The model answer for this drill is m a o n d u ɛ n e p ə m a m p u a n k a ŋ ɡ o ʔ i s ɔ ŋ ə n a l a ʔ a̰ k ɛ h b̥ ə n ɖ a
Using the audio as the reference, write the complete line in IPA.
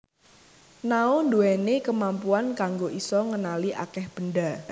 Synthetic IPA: n a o n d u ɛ n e k ə m a m p u a n k a ŋ ɡ o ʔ i s ɔ ŋ ə n a l i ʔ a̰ k ɛ h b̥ ə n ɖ a